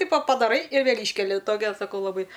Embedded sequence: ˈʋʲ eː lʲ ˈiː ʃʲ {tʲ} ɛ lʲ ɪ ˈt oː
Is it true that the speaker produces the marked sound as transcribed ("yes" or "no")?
no